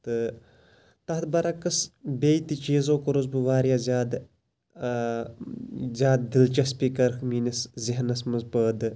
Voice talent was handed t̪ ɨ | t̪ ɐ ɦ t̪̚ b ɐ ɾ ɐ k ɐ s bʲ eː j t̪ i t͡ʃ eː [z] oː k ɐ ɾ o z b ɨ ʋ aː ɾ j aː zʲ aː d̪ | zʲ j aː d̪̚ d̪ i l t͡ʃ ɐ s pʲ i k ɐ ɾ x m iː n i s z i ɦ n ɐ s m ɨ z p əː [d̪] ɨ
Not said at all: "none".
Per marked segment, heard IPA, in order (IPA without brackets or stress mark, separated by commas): z, d̪